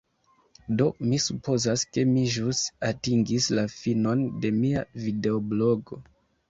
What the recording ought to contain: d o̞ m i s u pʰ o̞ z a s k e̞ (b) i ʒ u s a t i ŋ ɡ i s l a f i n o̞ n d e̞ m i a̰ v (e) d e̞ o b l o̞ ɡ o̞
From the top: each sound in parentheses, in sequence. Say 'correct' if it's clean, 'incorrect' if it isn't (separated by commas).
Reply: incorrect, incorrect